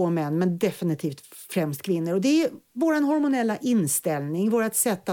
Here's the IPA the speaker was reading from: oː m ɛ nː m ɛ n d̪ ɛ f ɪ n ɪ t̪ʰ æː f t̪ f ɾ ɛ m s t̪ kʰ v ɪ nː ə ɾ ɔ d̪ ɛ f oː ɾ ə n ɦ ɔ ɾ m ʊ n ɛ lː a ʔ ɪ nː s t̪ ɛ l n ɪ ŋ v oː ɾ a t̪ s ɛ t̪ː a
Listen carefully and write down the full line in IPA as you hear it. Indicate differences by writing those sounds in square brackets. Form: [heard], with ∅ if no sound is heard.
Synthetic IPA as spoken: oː m ɛ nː m ɛ n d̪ ɛ f ɪ n ɪ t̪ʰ [iː] f t̪ f ɾ ɛ m s t̪ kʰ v ɪ nː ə ɾ ɔ d̪ ɛ [v] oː ɾ [a] n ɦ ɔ ɾ m ʊ n ɛ lː a ʔ ɪ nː s t̪ ɛ l n ɪ ŋ v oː ɾ a t̪ s ɛ t̪ː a